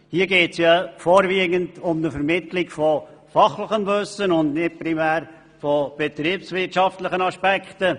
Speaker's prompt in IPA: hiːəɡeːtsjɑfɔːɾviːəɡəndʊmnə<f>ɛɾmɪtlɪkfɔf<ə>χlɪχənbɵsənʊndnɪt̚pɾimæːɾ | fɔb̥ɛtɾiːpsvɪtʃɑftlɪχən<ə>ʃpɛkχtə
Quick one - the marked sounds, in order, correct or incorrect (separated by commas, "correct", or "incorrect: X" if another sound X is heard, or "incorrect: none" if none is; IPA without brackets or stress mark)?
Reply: correct, incorrect: ɑ, incorrect: ɑ